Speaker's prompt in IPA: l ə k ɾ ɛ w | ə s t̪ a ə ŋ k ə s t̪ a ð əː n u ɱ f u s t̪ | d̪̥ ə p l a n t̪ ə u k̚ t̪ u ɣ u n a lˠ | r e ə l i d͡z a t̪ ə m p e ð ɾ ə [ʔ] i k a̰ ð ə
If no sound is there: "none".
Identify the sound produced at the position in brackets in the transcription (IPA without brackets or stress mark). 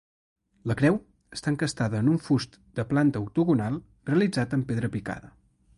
p